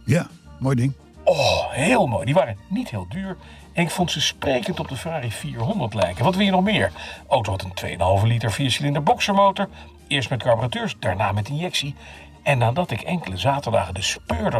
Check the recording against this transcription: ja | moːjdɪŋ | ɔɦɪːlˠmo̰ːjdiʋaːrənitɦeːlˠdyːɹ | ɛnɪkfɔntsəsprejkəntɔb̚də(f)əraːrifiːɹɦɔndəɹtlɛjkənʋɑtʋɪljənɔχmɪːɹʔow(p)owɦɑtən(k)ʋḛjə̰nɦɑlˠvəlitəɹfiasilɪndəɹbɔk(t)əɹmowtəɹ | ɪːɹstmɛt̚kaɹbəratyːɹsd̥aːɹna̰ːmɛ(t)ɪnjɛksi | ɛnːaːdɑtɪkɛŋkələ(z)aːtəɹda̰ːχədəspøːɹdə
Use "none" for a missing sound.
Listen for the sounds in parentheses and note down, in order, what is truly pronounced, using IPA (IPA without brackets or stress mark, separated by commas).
f, t, t, s, t, z